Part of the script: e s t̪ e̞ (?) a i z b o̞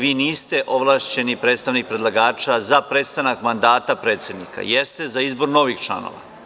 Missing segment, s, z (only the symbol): z